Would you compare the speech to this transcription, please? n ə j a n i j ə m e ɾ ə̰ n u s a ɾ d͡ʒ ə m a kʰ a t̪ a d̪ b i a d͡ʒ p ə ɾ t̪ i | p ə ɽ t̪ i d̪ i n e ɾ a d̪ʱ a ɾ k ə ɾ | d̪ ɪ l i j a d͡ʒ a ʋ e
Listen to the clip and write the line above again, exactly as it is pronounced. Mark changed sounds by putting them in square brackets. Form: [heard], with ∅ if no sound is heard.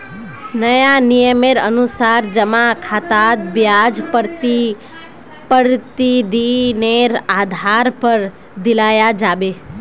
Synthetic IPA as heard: n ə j a n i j ə m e ɾ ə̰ n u s a ɾ d͡ʒ ə m a kʰ a t̪ a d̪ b [j] a d͡ʒ p ə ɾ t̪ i | p ə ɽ t̪ i d̪ i n e ɾ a d̪ʱ a ɾ [p] ə ɾ | d̪ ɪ l [a] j a d͡ʒ a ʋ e